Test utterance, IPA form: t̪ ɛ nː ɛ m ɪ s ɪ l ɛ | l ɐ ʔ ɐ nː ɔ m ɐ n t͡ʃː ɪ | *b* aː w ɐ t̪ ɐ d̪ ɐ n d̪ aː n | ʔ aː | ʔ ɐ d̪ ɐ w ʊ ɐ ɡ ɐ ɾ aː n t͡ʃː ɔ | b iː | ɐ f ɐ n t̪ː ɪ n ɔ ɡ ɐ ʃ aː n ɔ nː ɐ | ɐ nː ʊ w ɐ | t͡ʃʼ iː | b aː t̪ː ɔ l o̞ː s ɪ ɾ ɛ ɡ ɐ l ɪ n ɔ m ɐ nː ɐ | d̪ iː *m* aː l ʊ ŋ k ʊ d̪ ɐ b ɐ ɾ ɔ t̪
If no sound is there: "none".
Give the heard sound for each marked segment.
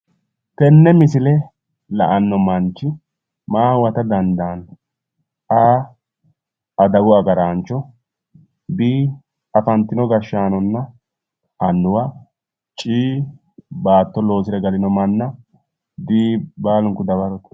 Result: m, b

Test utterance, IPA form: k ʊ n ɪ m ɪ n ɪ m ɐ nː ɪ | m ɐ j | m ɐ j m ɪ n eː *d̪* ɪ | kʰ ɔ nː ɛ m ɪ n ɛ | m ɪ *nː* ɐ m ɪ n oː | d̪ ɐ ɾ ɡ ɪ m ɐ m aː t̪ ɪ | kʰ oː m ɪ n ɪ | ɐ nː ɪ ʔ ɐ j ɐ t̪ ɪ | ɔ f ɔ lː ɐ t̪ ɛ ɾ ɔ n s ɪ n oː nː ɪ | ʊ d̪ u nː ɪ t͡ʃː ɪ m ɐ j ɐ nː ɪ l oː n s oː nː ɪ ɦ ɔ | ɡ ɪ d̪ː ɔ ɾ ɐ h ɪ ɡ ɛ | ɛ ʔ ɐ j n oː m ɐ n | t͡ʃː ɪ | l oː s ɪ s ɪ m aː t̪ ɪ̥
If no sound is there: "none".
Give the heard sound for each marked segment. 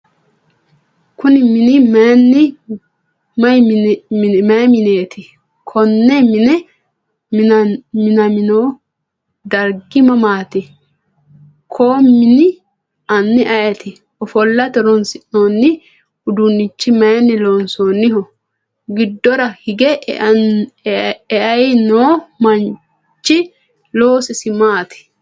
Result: t̪, n

